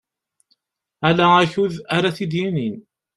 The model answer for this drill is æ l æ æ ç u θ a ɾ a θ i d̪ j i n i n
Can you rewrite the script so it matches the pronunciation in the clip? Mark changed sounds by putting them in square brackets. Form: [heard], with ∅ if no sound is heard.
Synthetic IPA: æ l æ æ ç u [ð] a ɾ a θ i d̪ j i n i n